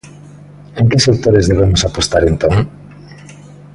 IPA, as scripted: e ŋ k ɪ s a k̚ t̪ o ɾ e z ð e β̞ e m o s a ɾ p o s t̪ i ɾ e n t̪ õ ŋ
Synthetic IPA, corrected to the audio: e ŋ k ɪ s e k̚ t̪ o ɾ e z ð e β̞ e m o s a p o s t̪ a ɾ e n t̪ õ ŋ